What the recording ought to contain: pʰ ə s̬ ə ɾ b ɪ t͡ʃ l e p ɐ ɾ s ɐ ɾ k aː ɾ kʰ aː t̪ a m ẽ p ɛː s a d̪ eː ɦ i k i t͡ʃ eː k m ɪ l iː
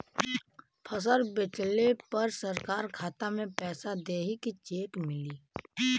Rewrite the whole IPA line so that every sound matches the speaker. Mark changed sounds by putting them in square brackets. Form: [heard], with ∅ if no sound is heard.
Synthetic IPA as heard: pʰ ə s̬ ə ɾ b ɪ t͡ʃ l e p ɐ ɾ s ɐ ɾ k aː ɾ kʰ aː t̪ a m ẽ p ɛː s a d̪ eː ɦ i k i t͡ʃ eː k m ɪ l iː

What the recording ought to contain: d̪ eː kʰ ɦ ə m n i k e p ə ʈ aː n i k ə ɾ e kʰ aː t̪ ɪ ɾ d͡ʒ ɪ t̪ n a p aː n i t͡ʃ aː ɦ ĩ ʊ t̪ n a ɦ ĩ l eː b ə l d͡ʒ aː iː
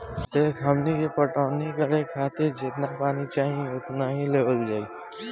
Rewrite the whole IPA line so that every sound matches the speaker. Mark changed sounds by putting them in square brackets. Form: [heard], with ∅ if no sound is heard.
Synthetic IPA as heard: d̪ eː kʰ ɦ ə m n i k e p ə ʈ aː n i k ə ɾ e kʰ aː t̪ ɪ ɾ d͡ʒ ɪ t̪ n a p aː n i t͡ʃ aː ɦ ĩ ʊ t̪ n a ɦ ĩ l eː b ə l d͡ʒ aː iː

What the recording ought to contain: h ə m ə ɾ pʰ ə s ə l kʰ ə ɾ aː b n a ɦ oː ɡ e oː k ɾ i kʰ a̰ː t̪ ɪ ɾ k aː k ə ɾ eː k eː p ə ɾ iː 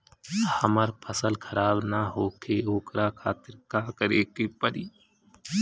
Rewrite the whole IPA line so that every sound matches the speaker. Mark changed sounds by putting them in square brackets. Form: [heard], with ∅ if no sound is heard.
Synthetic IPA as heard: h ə m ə ɾ pʰ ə s ə l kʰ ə ɾ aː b n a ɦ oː [k] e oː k ɾ [a] kʰ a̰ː t̪ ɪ ɾ k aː k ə ɾ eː k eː p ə ɾ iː

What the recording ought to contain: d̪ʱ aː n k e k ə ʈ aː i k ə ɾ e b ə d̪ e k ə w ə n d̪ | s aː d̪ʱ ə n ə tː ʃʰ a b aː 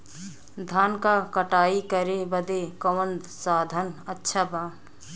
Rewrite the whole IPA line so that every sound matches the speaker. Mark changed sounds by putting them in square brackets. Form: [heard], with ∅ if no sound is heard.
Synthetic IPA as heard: d̪ʱ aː n k [a] k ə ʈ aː i k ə ɾ e b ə d̪ e k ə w ə n d̪ | s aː d̪ʱ ə n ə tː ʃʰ a b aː

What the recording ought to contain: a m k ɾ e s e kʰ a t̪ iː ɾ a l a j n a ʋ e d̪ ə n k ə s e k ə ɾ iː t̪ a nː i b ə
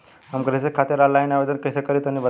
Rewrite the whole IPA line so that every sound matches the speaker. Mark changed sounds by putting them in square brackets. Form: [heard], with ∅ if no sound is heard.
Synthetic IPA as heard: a m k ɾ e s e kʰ a t̪ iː ɾ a l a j n a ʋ e d̪ ə n k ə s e k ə ɾ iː t̪ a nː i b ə

